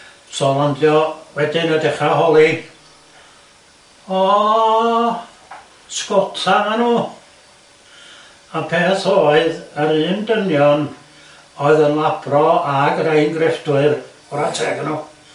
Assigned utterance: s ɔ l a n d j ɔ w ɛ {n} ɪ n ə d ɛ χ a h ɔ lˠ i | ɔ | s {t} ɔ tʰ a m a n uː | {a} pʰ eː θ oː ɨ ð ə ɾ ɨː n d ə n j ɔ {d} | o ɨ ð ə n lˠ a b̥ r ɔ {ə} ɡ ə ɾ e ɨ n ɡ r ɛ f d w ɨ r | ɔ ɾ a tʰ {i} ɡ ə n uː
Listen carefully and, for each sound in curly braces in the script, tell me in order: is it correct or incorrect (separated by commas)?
incorrect, incorrect, correct, incorrect, incorrect, incorrect